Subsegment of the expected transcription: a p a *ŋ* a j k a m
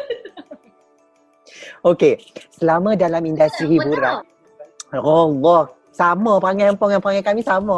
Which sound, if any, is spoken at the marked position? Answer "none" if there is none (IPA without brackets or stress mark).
ŋ